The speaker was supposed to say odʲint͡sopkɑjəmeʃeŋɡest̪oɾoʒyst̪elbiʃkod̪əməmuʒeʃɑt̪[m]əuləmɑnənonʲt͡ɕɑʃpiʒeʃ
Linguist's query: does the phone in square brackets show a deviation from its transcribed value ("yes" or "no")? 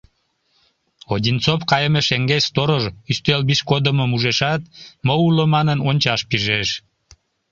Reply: no